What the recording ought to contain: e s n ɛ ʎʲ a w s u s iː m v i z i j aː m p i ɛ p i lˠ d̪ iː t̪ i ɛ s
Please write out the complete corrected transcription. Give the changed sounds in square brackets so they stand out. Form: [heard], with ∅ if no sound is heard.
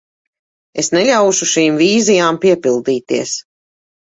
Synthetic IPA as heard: e s n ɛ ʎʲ a w [ʃ] u [ʃ] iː m v [iː] z i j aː m p i ɛ p i lˠ d̪ iː t̪ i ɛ s